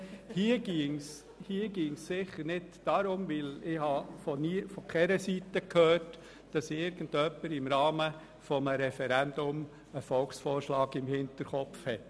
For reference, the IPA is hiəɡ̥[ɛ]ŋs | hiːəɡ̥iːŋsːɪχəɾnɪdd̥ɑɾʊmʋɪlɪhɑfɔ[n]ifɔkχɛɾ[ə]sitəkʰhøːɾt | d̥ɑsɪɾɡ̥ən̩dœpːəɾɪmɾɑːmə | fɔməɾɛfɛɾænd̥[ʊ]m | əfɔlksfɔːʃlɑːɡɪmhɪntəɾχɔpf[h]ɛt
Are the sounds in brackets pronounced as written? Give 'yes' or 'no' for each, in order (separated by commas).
no, yes, yes, yes, yes